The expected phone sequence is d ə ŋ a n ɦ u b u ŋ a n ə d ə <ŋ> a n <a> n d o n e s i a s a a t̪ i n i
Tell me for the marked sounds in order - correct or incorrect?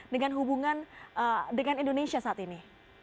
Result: correct, incorrect: i

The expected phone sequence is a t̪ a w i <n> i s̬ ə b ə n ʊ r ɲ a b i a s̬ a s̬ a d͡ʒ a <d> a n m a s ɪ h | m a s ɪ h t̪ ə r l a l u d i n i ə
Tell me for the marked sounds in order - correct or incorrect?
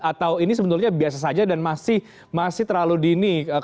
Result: correct, correct

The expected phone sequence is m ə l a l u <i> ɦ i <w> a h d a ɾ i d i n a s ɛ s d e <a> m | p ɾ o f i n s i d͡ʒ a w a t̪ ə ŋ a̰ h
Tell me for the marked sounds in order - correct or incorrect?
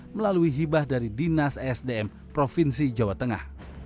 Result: correct, incorrect: b, incorrect: ɛ

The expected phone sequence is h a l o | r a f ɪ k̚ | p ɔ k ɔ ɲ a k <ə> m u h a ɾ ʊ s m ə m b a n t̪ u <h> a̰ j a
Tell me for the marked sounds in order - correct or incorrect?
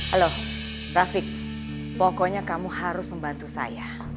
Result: incorrect: a, incorrect: s

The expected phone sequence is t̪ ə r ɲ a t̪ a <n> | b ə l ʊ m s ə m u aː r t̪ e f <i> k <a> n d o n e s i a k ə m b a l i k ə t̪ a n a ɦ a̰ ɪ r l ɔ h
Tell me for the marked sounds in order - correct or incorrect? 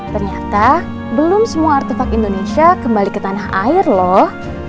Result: incorrect: none, incorrect: a, incorrect: i

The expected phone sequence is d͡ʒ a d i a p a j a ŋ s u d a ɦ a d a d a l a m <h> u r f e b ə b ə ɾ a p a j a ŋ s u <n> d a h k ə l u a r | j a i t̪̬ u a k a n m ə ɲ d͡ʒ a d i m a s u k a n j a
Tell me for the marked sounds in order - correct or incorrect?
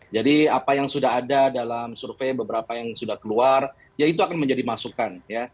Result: incorrect: s, incorrect: none

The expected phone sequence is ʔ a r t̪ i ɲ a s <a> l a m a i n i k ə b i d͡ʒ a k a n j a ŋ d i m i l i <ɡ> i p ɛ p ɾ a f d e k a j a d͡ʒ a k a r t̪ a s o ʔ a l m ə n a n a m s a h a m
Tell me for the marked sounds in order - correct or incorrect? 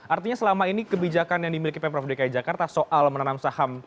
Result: incorrect: ə, incorrect: k

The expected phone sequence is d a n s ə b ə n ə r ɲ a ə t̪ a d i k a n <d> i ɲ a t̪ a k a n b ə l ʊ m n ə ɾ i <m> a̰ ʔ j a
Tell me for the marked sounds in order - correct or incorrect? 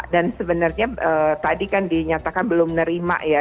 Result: correct, correct

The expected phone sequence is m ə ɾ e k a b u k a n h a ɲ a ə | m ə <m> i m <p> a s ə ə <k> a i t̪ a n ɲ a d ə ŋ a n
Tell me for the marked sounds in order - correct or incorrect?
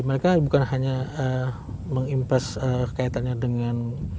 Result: incorrect: ŋ, correct, correct

